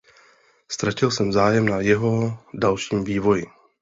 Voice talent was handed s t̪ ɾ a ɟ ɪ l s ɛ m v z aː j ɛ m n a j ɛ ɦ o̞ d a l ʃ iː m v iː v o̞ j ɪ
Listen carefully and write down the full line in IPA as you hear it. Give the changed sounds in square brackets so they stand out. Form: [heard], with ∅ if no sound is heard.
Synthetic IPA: s t̪ ɾ a [c] ɪ l s ɛ m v z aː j ɛ m n a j ɛ ɦ o̞ d a l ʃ iː m v iː v o̞ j ɪ